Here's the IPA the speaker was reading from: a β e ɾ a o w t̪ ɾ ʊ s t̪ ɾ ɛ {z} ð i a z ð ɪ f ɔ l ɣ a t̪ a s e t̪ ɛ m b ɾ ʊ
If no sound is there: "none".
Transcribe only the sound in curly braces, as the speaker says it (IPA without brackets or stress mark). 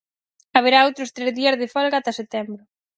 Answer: z